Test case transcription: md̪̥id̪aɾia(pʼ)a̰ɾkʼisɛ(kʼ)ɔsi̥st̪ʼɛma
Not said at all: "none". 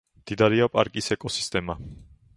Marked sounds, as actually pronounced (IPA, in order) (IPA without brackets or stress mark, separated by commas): pʼ, kʼ